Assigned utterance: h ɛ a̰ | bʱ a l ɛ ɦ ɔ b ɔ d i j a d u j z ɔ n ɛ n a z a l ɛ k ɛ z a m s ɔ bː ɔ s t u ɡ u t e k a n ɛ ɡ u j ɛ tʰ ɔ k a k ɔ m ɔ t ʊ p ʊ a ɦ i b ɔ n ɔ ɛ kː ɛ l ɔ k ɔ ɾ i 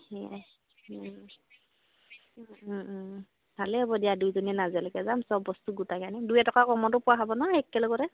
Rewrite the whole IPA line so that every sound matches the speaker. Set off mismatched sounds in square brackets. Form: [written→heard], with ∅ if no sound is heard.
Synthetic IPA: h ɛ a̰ | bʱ a l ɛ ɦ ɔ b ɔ d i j a d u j z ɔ n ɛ n a z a l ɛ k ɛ z a m s ɔ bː ɔ s t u ɡ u t [e→a] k a n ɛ [ɡ→d] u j ɛ [tʰ→t] ɔ k a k ɔ m ɔ t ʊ p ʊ a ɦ [i→a] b ɔ n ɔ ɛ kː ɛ l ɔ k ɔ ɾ [i→ɛ]